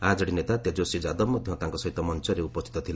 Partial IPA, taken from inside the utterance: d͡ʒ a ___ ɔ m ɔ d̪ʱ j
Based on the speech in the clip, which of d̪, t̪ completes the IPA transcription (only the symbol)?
d̪